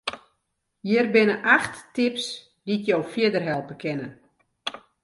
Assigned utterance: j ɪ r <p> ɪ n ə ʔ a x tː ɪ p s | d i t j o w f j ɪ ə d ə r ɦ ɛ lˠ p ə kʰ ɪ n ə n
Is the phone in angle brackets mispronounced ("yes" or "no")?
yes